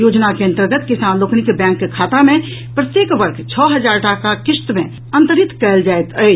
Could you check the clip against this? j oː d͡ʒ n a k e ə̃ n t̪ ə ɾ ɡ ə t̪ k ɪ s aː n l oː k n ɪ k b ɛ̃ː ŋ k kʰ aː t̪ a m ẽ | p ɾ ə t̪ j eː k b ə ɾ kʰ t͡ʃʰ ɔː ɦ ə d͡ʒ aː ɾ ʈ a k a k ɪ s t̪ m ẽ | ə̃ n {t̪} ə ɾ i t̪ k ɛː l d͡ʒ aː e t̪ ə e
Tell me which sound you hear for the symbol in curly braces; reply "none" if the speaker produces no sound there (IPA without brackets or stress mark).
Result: t̪